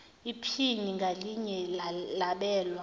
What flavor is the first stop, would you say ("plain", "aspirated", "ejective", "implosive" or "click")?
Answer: aspirated